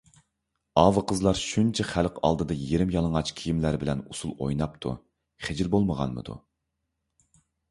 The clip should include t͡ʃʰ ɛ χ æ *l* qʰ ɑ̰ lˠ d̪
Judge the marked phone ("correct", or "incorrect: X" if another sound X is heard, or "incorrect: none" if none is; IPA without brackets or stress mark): correct